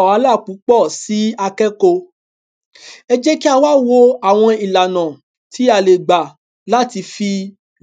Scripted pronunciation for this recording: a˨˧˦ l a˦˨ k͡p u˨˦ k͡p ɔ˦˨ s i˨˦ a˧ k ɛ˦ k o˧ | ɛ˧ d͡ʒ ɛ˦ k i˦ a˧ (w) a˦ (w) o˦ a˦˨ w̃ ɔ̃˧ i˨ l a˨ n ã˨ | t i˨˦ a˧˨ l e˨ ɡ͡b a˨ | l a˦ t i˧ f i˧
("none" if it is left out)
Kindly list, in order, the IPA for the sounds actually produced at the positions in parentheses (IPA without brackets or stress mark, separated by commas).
w, w